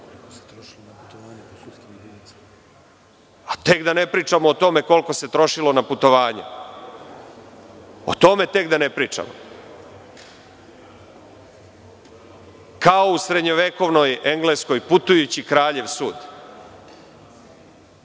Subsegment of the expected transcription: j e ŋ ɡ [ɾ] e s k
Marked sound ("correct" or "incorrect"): incorrect